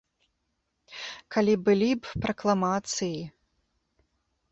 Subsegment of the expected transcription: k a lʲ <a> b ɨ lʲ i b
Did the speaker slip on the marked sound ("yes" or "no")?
yes